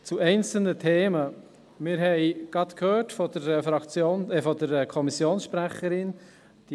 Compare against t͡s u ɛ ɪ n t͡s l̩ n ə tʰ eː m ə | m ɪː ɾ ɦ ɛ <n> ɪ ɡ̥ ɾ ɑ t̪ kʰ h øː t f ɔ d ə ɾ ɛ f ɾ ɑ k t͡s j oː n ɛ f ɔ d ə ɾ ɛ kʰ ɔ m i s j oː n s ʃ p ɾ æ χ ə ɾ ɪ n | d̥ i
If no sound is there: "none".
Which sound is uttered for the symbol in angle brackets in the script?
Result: none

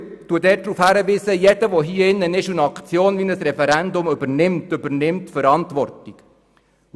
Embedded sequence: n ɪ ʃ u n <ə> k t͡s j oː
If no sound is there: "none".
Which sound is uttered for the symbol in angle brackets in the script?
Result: ɑ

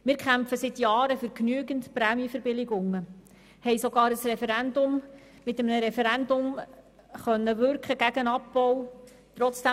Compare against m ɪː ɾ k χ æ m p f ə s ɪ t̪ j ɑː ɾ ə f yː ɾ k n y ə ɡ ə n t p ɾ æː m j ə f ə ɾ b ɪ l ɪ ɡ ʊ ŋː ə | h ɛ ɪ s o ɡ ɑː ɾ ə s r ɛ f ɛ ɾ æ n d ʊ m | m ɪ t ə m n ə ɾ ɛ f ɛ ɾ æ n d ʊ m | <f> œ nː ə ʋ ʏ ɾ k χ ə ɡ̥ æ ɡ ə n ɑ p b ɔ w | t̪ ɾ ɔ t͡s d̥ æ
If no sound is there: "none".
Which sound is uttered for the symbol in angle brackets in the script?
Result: χ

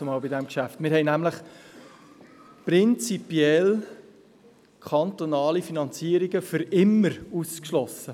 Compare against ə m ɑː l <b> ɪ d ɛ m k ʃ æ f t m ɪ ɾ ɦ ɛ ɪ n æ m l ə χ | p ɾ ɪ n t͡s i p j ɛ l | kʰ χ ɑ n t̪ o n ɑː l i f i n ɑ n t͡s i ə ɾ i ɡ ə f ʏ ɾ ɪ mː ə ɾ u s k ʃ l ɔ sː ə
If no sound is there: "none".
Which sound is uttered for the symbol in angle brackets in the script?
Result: b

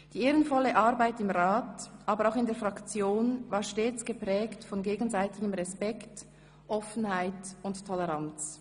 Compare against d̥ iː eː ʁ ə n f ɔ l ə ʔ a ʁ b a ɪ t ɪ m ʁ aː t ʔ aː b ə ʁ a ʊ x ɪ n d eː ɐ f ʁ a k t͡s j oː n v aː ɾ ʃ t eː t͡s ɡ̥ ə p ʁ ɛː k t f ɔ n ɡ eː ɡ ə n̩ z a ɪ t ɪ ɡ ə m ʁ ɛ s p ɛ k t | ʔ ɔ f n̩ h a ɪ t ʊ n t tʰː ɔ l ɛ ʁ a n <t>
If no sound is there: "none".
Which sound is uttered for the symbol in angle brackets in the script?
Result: t͡s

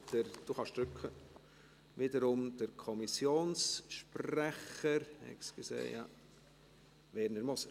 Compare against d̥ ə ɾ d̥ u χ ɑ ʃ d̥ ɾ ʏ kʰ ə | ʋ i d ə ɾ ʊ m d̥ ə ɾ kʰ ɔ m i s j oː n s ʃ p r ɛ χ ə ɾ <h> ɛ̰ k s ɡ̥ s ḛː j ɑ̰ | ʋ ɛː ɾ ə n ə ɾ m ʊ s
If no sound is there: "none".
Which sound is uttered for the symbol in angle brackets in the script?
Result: h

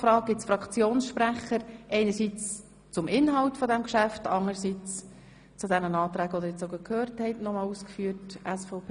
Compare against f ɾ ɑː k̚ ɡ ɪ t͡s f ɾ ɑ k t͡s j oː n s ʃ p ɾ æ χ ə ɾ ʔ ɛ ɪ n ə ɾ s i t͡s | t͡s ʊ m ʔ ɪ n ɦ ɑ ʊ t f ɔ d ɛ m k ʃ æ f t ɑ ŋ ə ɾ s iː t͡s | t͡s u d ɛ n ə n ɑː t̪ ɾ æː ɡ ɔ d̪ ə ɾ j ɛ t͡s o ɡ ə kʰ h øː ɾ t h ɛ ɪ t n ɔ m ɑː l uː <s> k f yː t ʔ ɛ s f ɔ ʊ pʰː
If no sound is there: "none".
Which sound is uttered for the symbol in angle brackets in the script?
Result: s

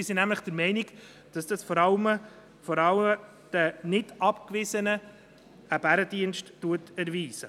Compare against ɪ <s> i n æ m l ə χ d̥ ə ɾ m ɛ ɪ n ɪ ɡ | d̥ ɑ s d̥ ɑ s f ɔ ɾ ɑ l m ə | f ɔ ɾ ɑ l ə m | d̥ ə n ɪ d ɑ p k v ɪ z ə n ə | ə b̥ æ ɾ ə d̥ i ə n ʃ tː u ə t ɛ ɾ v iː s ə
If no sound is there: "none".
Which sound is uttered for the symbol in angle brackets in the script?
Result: s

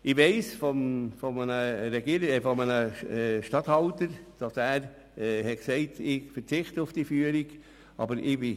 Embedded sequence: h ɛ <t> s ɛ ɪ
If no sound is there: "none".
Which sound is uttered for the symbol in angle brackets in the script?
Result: k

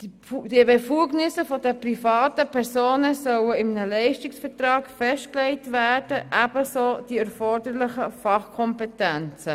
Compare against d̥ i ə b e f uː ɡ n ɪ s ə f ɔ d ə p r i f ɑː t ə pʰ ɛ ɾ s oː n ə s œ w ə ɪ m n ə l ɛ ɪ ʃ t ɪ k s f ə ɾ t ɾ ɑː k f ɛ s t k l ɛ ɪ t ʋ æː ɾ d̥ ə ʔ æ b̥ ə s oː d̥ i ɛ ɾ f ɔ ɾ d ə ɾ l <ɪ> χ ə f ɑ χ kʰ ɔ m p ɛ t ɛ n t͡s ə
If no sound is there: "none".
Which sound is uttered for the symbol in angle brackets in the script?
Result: ɪ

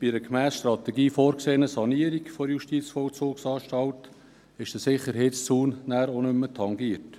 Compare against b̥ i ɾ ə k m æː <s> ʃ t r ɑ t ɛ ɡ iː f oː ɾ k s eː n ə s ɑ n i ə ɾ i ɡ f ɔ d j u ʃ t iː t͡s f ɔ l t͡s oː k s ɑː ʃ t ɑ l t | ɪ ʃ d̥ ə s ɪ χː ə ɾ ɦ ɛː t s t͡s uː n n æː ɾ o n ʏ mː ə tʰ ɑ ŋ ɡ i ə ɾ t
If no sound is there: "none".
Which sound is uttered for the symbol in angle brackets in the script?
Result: s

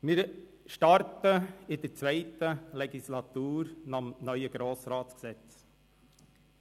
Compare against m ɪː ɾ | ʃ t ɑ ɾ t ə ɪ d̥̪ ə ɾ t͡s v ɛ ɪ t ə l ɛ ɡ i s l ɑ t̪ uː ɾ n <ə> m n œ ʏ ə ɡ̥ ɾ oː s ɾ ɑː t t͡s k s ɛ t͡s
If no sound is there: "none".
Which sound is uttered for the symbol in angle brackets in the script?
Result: ɑ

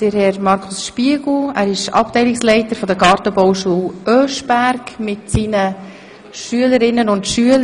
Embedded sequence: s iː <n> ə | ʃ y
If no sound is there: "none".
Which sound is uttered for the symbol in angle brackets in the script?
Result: n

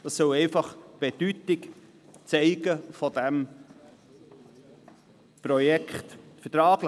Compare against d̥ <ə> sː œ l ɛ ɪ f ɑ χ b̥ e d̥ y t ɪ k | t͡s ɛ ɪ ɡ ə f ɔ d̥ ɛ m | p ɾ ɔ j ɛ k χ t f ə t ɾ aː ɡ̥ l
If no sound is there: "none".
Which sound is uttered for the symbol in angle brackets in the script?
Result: ɑ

